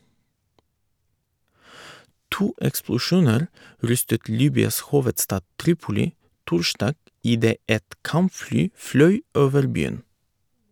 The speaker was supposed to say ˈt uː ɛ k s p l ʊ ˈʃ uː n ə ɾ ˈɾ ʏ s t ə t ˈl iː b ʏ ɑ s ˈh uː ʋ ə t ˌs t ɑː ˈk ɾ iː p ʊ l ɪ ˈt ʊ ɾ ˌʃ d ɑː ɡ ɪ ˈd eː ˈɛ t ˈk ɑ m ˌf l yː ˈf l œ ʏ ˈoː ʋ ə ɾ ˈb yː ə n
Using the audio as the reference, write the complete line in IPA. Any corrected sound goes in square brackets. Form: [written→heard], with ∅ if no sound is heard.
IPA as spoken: ˈt uː ɛ k s p l ʊ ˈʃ uː n ə ɾ ˈɾ ʏ s t ə t ˈl iː b ʏ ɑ s ˈh uː ʋ ə t ˌs t ɑː [ˈk→ˈt] ɾ iː p ʊ l ɪ ˈt ʊ ɾ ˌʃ d ɑː ɡ ɪ ˈd eː ˈɛ t ˈk ɑ m ˌf l yː ˈf l œ ʏ ˈoː ʋ ə ɾ ˈb yː ə n